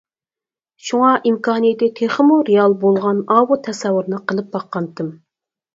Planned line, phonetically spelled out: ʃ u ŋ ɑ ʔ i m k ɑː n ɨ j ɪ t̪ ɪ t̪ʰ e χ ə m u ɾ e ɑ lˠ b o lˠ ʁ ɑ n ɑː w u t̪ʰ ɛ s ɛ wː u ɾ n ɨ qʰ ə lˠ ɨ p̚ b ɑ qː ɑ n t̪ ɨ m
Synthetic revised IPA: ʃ u ŋ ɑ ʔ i m k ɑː n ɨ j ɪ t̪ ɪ t̪ʰ e χ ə m u ɾ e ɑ lˠ b o lˠ ʁ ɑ n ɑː w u t̪ʰ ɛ s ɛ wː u ɾ n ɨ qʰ ə lˠ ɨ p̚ b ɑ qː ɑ n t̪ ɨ m